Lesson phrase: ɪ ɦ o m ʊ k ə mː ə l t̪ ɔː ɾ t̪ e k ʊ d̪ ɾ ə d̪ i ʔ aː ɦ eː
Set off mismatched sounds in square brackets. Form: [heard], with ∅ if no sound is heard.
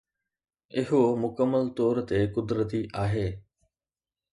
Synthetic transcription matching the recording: ɪ ɦ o m ʊ k ə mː ə l t̪ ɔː ɾ t̪ e k ʊ d̪ ɾ ə [t̪] i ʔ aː ɦ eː